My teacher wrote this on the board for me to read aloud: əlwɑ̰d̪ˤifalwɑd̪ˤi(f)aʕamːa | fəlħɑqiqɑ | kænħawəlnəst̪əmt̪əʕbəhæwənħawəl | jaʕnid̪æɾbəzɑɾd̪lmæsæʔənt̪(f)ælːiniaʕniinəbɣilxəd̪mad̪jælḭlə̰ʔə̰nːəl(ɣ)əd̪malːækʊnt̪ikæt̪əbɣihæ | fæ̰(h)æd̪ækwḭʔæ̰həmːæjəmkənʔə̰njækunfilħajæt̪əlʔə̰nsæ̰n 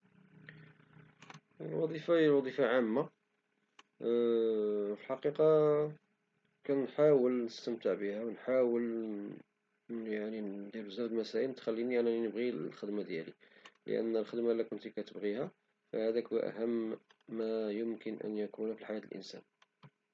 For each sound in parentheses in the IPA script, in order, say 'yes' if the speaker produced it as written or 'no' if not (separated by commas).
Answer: yes, no, no, yes